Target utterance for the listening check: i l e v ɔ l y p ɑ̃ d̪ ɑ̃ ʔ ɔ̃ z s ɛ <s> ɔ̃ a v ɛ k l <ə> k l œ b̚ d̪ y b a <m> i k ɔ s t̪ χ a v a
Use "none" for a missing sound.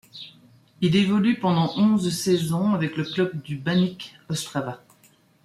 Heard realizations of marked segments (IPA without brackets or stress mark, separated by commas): z, ə, n